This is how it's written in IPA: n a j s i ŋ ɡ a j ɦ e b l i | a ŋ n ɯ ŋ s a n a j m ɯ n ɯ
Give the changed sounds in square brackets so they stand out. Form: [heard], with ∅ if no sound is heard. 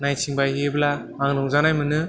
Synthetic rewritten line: n a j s i ŋ [b] a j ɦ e b l [a] | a ŋ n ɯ ŋ [z] a n a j m ɯ n ɯ

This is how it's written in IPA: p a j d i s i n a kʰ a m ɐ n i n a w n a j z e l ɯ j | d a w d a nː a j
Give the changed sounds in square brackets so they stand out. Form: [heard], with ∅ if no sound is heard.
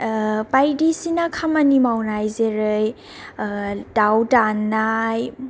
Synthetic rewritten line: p a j d i s i n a kʰ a m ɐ n i [m] a w n a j z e [ɾ] ɯ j | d a w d a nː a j

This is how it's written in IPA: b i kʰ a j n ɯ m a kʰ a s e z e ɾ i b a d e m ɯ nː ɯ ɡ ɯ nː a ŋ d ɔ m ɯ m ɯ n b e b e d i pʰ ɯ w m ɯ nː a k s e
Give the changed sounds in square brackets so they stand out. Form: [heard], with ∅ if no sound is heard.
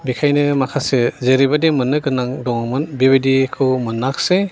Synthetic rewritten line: b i kʰ a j n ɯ m a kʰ a s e z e ɾ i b a d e m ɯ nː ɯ ɡ ɯ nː a ŋ d ɔ [ŋ] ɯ m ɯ n b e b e d i [kʰ] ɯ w m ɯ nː a k s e

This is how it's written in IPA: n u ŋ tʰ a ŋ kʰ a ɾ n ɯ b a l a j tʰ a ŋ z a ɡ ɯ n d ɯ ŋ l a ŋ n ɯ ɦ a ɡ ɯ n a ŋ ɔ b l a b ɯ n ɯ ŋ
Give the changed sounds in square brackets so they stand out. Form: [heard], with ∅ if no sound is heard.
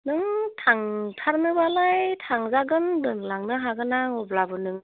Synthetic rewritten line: n [ɯ] ŋ tʰ a ŋ [tʰ] a ɾ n ɯ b a l a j tʰ a ŋ z a ɡ ɯ n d ɯ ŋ l a ŋ n ɯ ɦ a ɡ ɯ n a ŋ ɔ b l a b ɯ n ɯ ŋ

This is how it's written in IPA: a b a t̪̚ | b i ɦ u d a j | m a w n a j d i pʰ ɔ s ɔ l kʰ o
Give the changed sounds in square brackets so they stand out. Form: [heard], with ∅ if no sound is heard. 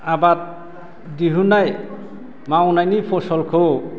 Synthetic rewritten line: a b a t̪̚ | [d] i ɦ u [n] a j | m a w n a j [n] i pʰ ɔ s ɔ l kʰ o

